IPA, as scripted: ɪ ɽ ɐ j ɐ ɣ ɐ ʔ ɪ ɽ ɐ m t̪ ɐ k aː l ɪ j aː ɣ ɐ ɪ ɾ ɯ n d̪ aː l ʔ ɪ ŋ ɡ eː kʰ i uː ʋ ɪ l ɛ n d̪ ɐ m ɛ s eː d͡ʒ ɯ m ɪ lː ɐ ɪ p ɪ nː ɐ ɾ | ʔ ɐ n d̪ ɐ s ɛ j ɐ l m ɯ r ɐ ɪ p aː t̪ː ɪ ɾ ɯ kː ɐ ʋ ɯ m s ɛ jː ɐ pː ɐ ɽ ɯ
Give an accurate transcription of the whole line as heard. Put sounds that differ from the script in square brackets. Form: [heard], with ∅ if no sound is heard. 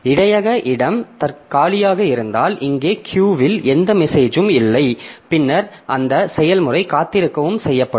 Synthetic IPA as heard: ɪ ɽ ɐ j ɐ ɣ ɐ ʔ ɪ ɽ ɐ m t̪ ɐ k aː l ɪ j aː ɣ ɐ ɪ ɾ ɯ n d̪ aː l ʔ ɪ ŋ ɡ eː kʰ [j] uː ʋ ɪ l ɛ n d̪ ɐ m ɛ s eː d͡ʒ ɯ m ɪ lː ɐ ɪ p ɪ nː ɐ ɾ | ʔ ɐ n d̪ ɐ s ɛ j ɐ l m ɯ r ɐ ɪ [k] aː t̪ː ɪ ɾ ɯ kː ɐ ʋ ɯ m s ɛ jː ɐ pː ɐ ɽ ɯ